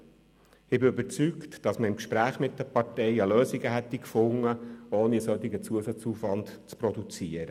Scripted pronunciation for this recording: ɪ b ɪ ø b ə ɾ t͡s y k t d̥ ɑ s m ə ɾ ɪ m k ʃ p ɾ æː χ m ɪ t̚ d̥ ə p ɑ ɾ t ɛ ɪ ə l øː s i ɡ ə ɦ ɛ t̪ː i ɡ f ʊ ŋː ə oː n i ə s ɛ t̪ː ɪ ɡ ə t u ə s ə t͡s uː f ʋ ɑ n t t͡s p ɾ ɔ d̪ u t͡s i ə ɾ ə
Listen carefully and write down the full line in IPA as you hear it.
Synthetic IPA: ɪ b ɪ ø b ə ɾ t͡s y k t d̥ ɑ s m ə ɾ ɪ m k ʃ p ɾ æː χ m ɪ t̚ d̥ ə p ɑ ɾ t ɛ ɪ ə l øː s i ɡ ə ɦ ɛ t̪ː i k f ʊ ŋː ə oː n i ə s œ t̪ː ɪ ɡ ə t͡s u ə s ɑ t͡s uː f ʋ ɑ n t t͡s p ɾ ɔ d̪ u t͡s i ə ɾ ə